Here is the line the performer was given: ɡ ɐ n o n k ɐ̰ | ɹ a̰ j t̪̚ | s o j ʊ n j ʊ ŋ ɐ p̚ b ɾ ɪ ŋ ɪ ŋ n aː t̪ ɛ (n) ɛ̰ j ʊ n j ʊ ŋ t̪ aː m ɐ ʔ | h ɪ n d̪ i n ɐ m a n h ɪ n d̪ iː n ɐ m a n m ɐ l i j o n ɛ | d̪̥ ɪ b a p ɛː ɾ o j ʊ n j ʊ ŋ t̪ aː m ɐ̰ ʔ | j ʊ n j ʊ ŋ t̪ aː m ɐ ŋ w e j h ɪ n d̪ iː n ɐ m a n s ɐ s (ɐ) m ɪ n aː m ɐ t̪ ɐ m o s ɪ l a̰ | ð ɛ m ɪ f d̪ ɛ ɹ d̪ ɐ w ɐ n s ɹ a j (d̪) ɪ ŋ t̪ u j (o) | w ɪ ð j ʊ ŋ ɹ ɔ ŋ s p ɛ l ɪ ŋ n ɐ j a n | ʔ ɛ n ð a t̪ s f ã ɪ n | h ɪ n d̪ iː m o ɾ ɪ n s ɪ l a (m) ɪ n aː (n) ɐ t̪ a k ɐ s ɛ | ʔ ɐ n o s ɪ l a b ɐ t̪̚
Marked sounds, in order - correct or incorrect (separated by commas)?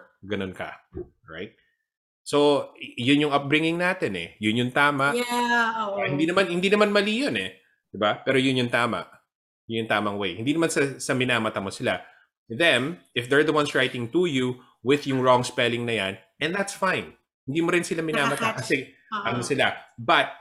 correct, correct, incorrect, incorrect, correct, incorrect